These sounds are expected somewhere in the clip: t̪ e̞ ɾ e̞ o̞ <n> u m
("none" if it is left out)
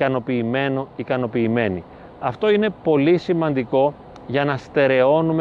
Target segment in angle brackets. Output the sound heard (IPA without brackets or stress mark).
n